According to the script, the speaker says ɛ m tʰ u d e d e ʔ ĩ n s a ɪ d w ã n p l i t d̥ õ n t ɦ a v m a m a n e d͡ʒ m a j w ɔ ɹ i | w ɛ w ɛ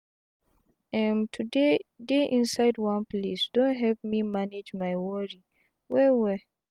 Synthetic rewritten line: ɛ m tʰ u d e d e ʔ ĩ n s a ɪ d w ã n p l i s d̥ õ n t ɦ ɛ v m i m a n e d͡ʒ m a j w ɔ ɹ i | w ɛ w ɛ